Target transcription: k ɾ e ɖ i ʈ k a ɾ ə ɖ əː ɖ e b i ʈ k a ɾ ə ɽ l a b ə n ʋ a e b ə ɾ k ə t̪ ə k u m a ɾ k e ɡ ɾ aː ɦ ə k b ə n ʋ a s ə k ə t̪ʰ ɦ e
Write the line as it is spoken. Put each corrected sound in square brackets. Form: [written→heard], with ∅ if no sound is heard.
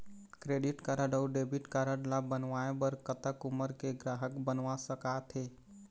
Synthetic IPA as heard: k ɾ e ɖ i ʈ k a ɾ ə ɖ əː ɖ e b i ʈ k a ɾ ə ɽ l a b ə n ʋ a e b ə ɾ k ə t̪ ə k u m [a→ə] ɾ k e ɡ ɾ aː ɦ ə k b ə n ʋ a s ə k [ə→a] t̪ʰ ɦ e

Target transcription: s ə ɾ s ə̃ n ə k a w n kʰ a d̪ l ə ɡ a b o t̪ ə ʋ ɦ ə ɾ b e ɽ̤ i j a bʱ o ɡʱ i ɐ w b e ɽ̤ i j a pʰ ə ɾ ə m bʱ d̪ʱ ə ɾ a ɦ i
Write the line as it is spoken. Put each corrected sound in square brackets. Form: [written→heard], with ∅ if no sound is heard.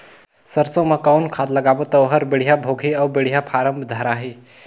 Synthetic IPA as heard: s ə ɾ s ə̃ [n→m] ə k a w n kʰ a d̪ l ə ɡ a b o t̪ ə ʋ ɦ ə ɾ b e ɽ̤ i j a bʱ o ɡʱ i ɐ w b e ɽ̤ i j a pʰ [ə→a] ɾ ə m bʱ d̪ʱ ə ɾ a ɦ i

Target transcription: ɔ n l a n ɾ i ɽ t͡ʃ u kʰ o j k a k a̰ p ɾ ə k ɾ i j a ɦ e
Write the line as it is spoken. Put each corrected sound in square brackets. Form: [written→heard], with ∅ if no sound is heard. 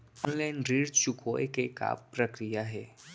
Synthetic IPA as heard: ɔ n l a n ɾ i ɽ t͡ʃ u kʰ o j k [a→e] k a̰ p ɾ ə k ɾ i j a ɦ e

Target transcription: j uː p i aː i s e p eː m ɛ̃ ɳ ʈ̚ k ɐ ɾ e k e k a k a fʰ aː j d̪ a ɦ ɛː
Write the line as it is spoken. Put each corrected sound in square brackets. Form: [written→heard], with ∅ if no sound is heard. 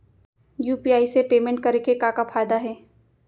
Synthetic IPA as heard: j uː p i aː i s e p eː m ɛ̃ ɳ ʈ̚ k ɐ ɾ e k e k a k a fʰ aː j d̪ a ɦ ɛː

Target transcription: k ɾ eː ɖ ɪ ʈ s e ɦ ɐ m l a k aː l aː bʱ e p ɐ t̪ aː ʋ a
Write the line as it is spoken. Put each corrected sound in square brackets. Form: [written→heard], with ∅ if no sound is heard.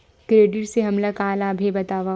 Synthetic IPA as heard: k ɾ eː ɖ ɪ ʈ s e ɦ ɐ m l a k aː l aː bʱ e [p→b] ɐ t̪ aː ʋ a

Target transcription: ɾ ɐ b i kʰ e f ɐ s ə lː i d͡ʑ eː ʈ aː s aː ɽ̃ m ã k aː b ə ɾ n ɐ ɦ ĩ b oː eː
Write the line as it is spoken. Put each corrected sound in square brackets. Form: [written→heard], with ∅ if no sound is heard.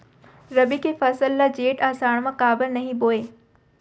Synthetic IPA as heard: ɾ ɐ b i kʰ e f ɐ s ə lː [i→a] d͡ʑ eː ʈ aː s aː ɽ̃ m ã k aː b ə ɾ n ɐ ɦ ĩ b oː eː

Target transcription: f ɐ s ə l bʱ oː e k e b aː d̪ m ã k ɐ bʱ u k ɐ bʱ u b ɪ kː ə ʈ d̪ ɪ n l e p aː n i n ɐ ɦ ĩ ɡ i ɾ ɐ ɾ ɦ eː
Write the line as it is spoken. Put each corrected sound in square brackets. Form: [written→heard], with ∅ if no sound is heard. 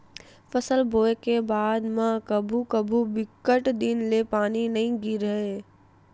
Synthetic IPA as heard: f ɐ s ə l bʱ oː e k e b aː d̪ m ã k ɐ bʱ u k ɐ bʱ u b ɪ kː ə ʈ d̪ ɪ n l e p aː n i n ɐ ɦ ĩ ɡ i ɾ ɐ [ɾ→∅] ɦ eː

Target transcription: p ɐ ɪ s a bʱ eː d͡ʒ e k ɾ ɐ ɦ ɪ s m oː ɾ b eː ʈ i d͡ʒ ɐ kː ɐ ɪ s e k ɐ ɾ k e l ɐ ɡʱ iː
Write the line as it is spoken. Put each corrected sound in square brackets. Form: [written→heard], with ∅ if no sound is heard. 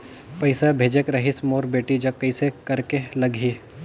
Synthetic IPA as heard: p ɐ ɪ s a bʱ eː d͡ʒ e k ɾ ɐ ɦ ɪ s m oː ɾ b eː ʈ i d͡ʒ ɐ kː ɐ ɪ s e k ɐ ɾ k e l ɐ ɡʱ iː

